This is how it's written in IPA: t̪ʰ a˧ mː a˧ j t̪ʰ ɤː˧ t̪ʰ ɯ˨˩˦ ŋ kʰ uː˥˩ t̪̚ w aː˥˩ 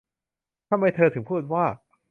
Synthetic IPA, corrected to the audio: t̪ʰ a˧ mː a˧ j t̪ʰ ɤː˧ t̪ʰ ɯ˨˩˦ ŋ pʰ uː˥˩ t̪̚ w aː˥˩